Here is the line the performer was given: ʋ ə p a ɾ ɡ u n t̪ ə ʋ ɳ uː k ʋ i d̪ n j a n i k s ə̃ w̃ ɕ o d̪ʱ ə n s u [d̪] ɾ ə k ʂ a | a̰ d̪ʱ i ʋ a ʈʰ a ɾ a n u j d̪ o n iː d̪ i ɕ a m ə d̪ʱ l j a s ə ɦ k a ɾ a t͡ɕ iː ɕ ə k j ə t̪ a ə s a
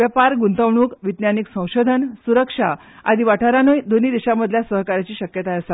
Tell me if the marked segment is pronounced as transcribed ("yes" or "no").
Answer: no